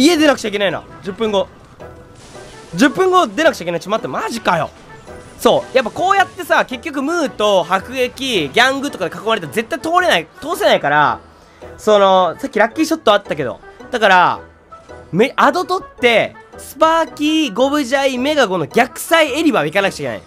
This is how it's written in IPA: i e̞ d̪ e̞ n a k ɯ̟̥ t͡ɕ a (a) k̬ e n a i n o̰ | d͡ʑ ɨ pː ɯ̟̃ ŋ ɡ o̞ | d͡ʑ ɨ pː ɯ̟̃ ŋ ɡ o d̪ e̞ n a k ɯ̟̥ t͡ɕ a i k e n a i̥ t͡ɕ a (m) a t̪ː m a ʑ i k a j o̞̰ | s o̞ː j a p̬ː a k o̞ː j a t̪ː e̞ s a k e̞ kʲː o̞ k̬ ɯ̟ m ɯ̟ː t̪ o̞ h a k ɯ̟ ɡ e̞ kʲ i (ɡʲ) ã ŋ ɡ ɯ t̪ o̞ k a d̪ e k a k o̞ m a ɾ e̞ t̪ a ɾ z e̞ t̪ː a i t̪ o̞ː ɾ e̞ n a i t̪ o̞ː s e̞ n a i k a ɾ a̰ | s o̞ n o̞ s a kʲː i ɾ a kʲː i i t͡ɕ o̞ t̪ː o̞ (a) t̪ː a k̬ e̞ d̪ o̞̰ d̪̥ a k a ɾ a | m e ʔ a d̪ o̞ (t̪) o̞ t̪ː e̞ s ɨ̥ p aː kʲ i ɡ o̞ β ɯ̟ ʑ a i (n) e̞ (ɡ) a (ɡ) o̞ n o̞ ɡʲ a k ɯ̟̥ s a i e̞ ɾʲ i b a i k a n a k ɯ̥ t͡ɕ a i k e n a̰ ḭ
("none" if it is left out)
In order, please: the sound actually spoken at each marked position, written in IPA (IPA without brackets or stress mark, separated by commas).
i, m, ɡʲ, a, t̪, m, ɡ, ɡ